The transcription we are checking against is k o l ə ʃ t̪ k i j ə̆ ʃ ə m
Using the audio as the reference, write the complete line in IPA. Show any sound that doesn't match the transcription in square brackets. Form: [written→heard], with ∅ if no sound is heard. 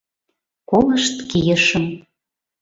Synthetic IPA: k o l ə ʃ t̪ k i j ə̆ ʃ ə m